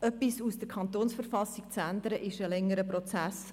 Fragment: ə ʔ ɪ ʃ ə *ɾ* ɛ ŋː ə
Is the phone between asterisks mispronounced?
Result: yes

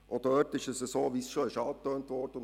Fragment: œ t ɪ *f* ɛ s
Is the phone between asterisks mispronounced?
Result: yes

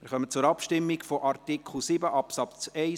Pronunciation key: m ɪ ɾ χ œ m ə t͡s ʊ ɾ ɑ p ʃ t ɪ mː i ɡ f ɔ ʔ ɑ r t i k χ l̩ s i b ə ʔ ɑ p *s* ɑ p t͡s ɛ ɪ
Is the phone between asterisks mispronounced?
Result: no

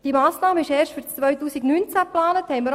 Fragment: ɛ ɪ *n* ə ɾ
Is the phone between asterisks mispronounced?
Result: yes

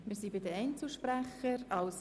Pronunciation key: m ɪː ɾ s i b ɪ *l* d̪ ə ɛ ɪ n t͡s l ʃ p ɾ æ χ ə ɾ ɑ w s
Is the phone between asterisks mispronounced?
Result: yes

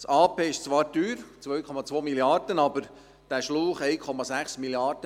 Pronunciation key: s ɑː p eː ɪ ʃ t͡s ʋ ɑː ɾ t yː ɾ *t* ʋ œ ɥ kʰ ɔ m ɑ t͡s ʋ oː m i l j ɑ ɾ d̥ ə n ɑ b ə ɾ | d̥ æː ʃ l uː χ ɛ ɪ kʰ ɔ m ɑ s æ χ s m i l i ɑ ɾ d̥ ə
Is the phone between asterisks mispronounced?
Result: yes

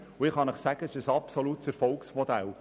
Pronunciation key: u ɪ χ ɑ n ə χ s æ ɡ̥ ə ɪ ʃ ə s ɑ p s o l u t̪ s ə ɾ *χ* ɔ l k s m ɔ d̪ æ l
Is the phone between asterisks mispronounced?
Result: yes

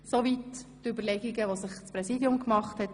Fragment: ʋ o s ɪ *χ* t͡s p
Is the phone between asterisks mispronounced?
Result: no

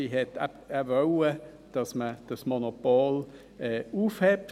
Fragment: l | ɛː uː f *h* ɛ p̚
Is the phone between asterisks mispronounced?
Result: no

